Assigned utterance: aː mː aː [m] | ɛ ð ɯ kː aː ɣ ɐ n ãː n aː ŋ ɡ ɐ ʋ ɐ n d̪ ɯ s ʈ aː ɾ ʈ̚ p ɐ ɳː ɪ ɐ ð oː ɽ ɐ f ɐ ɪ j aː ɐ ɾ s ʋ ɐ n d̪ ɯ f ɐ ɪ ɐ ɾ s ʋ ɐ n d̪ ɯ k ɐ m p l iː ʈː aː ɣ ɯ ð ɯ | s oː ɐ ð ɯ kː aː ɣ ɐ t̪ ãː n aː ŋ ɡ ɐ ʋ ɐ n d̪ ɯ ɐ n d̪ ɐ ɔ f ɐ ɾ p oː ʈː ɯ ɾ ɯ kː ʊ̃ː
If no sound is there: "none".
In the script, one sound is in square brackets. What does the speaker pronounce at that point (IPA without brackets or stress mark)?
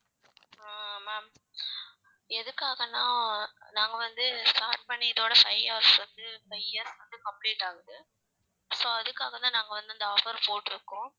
m